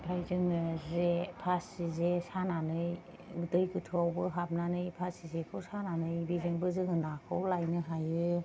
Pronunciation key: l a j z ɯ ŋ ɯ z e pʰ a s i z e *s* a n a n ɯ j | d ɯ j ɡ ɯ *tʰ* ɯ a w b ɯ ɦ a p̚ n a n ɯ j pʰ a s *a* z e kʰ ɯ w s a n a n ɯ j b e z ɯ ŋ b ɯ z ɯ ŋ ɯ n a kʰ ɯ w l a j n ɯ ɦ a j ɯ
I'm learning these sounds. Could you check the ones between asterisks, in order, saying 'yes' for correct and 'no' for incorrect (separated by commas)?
yes, yes, no